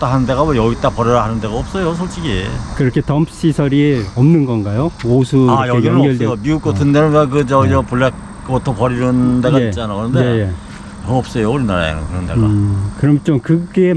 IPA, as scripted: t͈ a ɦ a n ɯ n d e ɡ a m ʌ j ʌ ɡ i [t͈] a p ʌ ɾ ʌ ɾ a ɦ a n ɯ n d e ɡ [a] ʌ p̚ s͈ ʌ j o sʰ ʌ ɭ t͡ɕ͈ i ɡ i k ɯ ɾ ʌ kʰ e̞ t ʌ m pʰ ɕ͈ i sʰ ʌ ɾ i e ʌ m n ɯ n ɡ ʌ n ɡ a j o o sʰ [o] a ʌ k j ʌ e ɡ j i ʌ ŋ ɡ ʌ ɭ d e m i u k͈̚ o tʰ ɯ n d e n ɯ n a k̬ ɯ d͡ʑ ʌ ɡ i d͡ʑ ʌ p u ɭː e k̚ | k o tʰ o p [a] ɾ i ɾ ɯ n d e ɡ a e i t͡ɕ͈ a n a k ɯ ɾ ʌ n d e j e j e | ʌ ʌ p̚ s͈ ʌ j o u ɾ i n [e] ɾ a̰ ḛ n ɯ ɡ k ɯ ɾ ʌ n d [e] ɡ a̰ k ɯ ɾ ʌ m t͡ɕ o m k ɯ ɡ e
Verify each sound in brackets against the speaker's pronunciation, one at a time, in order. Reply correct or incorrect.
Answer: correct, correct, incorrect: u, incorrect: ʌ, incorrect: a, correct

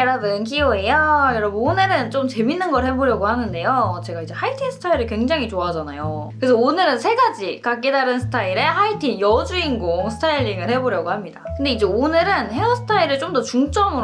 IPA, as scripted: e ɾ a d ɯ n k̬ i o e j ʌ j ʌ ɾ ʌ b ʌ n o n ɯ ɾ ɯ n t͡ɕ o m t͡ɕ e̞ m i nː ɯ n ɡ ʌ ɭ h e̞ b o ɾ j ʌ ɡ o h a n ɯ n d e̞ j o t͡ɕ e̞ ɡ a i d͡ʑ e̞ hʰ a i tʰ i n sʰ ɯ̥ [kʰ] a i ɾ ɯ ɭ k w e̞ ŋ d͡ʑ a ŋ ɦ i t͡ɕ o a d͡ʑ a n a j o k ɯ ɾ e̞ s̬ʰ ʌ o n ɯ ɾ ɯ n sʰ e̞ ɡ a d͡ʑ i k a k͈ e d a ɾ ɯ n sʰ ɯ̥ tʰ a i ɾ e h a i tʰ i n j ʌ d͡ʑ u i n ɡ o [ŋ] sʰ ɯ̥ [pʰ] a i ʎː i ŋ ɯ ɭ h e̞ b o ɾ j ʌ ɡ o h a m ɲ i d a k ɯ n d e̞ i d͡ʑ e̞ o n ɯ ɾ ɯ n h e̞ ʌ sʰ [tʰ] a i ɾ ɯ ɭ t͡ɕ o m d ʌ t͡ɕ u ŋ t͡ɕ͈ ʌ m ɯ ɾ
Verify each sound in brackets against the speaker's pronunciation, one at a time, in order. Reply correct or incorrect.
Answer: incorrect: tʰ, correct, incorrect: tʰ, correct

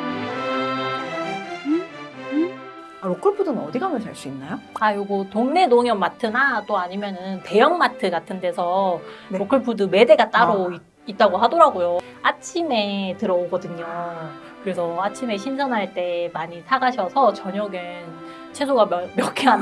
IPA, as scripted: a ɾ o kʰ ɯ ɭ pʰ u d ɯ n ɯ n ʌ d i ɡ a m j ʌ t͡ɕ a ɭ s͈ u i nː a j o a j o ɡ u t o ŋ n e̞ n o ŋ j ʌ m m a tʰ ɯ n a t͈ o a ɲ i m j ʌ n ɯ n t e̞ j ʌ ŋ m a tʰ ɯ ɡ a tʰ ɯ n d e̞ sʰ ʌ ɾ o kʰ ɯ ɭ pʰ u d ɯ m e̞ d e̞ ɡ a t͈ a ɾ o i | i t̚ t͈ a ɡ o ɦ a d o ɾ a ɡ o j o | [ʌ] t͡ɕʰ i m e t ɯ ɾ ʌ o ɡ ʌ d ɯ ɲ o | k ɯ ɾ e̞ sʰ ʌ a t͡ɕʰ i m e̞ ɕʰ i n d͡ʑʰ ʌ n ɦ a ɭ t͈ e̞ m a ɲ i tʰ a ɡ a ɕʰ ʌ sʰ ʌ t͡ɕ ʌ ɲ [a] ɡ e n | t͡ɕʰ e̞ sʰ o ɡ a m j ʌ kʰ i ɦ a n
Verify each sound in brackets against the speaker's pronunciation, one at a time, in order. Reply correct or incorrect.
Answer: incorrect: a, incorrect: ʌ

